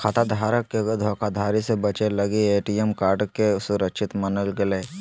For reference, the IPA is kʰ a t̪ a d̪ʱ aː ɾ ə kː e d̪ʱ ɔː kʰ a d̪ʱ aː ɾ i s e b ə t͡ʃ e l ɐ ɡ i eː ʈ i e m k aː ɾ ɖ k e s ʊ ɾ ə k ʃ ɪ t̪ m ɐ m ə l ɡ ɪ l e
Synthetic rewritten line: kʰ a t̪ a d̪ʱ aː ɾ ə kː e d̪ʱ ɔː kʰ a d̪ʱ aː ɾ i s e b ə t͡ʃ e l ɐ ɡ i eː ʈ i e m k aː ɾ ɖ k e s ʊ ɾ ə k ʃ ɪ t̪ m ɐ n ə l ɡ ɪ l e